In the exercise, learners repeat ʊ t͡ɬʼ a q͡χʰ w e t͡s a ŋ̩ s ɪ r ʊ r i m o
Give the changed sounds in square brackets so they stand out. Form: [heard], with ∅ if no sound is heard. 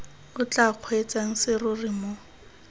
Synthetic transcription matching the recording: ʊ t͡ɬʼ a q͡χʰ w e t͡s a ŋ̩ s ɪ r ʊ r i m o